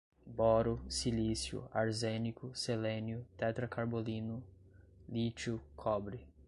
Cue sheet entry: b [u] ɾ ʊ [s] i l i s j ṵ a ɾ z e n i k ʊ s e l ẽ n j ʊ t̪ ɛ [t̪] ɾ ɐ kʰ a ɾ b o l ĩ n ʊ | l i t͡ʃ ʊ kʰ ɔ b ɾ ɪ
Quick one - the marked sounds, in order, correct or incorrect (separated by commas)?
incorrect, correct, correct